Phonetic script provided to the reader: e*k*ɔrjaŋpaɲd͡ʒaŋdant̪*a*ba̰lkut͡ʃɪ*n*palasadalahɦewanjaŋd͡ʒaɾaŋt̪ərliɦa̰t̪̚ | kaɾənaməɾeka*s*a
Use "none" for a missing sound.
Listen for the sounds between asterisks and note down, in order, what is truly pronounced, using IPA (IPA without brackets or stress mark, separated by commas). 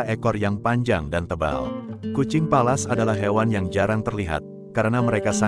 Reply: k, ə, ŋ, s